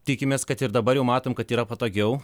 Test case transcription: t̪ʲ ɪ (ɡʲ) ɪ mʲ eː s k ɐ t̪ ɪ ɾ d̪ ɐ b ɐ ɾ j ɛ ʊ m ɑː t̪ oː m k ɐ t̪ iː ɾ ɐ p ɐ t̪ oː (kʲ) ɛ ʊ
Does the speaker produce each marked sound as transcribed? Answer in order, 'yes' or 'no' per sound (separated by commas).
no, no